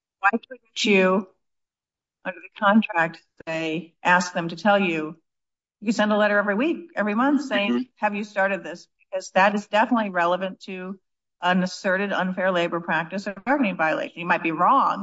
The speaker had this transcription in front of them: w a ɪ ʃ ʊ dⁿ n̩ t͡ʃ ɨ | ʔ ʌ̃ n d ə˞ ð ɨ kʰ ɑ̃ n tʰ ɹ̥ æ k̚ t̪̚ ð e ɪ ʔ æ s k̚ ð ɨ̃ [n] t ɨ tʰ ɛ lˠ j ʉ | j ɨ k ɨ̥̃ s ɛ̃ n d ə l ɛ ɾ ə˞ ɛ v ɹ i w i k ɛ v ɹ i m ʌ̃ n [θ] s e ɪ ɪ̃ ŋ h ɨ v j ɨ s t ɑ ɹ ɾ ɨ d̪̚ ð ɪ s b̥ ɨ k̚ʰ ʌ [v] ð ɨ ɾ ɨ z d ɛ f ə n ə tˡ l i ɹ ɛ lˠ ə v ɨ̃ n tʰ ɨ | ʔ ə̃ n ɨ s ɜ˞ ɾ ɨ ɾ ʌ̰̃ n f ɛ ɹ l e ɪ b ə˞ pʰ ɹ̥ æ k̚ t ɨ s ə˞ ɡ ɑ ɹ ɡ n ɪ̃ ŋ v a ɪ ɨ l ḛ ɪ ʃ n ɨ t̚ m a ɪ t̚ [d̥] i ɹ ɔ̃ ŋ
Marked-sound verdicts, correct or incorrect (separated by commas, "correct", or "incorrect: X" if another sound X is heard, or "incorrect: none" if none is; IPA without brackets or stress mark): incorrect: m, correct, incorrect: z, incorrect: b̥